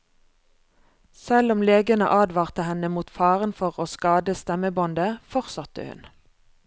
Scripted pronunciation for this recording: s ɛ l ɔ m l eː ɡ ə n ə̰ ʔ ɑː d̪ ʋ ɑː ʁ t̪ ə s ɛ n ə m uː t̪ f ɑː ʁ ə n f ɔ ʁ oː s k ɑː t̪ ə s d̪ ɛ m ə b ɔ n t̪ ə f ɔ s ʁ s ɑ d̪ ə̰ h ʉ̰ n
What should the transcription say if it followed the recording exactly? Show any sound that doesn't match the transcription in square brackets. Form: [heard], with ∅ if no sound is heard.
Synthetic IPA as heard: s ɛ l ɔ m l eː ɡ ə n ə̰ ʔ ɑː d̪ ʋ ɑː ʁ t̪ ə [h] ɛ n ə m uː t̪ f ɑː ʁ ə n f ɔ ʁ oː s k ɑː [d̪] ə s [t̪] ɛ m ə b ɔ n [d̪] ə f ɔ [∅] ʁ s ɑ [t̪] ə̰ h ʉ̰ n